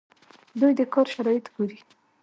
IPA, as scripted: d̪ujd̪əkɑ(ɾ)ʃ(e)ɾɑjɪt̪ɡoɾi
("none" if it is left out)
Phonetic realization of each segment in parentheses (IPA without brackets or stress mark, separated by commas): ɾ, a